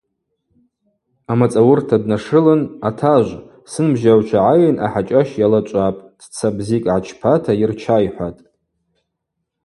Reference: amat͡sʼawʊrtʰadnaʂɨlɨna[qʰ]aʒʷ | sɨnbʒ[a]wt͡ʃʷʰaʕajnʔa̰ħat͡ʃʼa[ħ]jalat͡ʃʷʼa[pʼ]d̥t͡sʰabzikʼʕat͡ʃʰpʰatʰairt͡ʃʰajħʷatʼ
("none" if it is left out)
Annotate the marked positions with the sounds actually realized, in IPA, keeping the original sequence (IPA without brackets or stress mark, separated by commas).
tʰ, a, ʃ, pʼ